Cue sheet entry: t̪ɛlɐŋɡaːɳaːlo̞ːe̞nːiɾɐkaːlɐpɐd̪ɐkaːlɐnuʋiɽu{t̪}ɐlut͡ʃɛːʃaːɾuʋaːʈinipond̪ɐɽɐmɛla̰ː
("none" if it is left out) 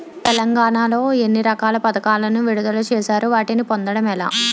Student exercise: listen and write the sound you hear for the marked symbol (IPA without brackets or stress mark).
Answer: d̪